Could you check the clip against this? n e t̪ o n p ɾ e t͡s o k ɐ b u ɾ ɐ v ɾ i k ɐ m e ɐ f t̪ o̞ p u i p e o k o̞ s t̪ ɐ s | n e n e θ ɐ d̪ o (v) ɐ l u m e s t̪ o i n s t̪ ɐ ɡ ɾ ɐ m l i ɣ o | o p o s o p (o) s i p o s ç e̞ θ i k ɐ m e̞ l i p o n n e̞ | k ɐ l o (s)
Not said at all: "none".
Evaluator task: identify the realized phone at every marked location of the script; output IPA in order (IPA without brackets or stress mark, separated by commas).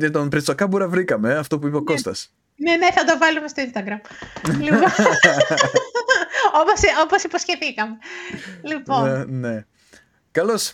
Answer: v, o, s